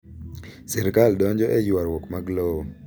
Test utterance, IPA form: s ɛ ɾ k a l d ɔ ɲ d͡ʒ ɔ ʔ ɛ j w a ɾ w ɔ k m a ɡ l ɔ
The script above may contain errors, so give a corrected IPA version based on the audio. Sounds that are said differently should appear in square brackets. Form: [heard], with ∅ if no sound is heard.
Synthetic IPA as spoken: s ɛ ɾ k a l d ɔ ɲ d͡ʒ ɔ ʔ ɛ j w a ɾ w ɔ k m a ɡ l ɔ